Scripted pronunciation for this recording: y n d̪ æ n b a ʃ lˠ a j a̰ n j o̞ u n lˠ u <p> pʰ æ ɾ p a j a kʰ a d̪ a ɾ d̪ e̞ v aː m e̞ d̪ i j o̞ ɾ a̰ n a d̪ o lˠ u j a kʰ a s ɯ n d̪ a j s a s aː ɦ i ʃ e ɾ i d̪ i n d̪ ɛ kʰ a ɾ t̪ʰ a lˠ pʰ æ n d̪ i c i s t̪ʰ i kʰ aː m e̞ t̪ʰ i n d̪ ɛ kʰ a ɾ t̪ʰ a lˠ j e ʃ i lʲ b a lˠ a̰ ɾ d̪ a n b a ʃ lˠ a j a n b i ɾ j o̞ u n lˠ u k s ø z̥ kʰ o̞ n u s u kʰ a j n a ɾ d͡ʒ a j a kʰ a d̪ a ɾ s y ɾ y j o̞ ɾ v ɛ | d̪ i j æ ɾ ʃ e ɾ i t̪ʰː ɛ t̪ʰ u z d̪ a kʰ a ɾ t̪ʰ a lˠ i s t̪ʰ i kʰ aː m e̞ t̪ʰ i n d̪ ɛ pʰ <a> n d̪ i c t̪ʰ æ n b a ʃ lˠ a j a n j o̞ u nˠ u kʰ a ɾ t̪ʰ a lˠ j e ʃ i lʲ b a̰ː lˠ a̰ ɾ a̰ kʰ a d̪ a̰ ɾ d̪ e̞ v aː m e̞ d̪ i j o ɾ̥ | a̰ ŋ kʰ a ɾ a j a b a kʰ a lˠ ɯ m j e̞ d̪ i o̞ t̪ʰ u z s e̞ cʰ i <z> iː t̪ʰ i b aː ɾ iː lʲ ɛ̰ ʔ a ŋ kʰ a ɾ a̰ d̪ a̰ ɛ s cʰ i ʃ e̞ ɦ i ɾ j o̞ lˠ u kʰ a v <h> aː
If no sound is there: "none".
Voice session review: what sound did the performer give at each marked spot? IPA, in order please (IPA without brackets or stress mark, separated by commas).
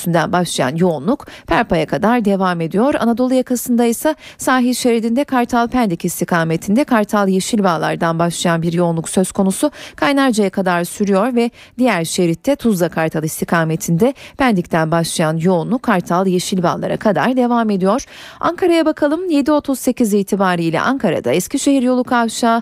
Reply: k, æ, z, ʃ